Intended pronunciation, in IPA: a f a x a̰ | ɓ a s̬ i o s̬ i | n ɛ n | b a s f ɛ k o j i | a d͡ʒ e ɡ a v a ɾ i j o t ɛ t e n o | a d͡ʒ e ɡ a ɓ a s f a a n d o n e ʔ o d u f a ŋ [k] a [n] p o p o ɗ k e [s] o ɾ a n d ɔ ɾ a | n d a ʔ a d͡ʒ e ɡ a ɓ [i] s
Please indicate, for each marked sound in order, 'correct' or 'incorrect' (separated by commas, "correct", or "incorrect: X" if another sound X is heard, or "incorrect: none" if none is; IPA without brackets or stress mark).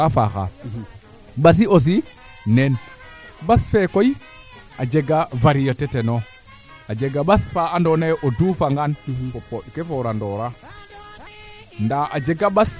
incorrect: ɡ, correct, incorrect: f, incorrect: a